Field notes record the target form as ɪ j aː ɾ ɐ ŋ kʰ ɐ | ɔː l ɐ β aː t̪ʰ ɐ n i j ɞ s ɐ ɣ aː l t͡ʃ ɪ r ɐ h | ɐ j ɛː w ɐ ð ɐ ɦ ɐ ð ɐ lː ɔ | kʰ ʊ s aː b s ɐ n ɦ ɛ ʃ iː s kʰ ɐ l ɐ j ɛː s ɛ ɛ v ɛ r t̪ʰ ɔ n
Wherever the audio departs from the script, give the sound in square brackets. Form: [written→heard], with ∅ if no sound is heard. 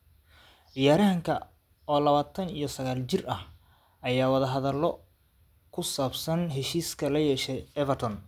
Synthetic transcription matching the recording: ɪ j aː ɾ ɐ ŋ kʰ ɐ | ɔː l ɐ β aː t̪ʰ ɐ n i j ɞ s ɐ ɣ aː l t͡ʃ ɪ r ɐ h | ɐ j [ɛː→aː] w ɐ ð ɐ ɦ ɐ ð ɐ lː ɔ | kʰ ʊ s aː b s ɐ n ɦ ɛ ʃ iː s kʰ ɐ l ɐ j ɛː [s→ʃ] ɛ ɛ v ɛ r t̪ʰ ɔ n